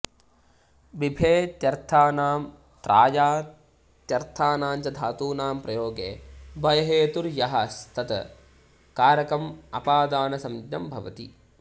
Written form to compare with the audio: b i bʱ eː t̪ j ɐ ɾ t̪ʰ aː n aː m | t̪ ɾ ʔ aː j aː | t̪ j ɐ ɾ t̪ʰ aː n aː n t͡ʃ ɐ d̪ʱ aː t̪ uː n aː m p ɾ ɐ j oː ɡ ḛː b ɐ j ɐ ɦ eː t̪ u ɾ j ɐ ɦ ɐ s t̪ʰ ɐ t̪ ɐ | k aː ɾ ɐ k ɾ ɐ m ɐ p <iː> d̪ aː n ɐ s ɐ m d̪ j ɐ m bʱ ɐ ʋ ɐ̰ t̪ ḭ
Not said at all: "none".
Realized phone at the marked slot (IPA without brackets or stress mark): aː